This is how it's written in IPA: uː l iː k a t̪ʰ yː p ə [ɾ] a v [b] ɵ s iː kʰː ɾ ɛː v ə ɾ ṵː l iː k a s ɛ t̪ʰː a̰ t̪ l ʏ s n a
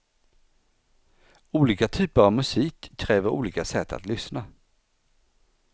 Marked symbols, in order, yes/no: yes, no

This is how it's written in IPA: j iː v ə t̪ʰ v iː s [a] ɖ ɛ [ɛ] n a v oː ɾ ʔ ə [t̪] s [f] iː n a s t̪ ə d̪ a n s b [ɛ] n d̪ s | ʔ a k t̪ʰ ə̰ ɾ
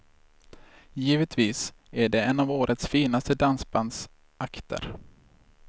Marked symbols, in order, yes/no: no, yes, yes, yes, no

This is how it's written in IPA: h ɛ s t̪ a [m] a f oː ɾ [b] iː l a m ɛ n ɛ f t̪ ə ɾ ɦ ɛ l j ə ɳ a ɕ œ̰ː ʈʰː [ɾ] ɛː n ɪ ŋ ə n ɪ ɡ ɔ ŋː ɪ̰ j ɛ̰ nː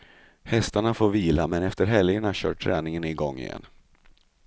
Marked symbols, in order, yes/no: no, no, yes

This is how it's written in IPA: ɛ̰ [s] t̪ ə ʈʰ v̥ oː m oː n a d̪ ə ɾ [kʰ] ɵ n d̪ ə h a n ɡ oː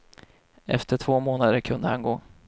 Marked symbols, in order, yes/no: no, yes

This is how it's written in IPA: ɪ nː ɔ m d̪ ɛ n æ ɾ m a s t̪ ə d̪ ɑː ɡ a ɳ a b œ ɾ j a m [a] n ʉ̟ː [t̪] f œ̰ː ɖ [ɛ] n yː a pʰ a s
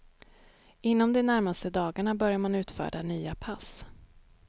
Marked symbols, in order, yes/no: yes, yes, no

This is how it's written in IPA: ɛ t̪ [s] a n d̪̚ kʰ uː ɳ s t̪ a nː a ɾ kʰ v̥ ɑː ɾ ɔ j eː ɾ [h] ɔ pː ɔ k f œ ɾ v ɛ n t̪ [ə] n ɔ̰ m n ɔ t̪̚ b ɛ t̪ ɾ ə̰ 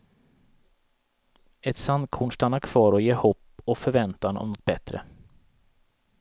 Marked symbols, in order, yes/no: yes, yes, no

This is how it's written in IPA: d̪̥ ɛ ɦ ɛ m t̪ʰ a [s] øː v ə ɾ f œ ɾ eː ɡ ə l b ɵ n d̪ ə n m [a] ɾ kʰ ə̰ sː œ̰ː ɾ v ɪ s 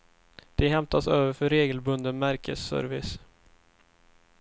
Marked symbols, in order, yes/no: yes, no

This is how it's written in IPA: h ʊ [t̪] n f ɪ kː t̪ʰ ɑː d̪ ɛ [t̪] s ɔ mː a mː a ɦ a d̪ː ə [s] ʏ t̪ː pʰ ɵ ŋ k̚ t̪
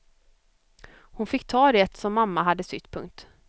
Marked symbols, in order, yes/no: no, yes, yes

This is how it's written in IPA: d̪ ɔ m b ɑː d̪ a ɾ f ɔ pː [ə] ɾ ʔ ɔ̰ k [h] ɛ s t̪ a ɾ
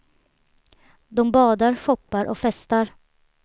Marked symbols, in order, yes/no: no, no

